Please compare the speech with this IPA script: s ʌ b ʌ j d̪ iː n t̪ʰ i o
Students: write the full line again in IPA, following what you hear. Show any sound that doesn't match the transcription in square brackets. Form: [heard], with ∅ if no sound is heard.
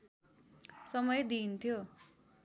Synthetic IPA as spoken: s ʌ [m] ʌ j d̪ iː n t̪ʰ [j] o